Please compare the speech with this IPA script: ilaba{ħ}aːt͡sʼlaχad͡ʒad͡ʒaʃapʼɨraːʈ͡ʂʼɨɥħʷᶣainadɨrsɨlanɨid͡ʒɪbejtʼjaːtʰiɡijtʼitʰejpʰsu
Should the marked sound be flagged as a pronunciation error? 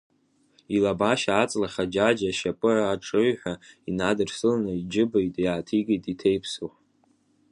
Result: yes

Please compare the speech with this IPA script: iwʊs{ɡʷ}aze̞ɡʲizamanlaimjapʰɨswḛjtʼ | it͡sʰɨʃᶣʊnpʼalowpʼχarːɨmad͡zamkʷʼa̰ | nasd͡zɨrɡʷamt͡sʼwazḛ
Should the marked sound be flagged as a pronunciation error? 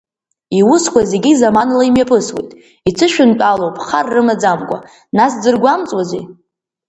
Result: yes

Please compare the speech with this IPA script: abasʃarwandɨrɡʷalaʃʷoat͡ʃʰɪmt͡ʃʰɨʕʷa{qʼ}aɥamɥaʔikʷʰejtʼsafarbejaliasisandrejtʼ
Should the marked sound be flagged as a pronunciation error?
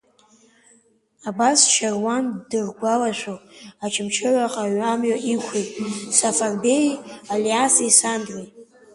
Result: no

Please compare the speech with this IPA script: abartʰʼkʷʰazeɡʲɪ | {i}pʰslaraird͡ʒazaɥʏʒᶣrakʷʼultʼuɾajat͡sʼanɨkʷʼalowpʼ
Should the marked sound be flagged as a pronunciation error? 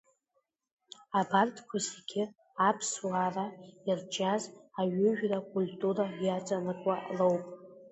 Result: yes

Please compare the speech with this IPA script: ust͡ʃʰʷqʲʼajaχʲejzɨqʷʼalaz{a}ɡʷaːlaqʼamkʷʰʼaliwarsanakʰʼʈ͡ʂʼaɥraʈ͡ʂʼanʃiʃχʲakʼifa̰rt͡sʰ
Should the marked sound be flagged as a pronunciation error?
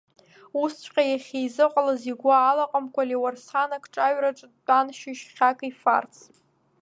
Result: yes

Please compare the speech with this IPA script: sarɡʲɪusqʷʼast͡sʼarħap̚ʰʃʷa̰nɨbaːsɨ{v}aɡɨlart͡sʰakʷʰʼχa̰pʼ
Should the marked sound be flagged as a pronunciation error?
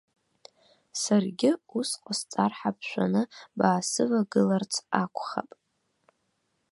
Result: no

